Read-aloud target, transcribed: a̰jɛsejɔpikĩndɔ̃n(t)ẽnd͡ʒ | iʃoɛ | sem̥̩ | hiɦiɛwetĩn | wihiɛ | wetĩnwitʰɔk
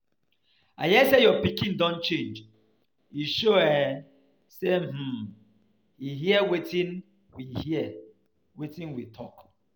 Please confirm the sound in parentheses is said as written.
no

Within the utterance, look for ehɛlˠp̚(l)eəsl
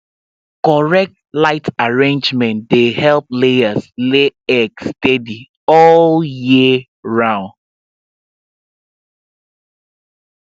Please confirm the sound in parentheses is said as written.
yes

